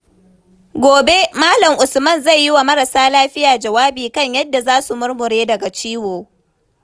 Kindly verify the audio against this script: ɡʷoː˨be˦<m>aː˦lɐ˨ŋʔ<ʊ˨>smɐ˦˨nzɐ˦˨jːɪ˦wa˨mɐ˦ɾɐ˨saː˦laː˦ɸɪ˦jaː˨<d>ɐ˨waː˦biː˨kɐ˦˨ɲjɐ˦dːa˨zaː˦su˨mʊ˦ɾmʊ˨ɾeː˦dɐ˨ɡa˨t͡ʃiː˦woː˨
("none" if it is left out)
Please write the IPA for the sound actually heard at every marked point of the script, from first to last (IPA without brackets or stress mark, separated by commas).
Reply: m, ʊ˨, d͡ʒ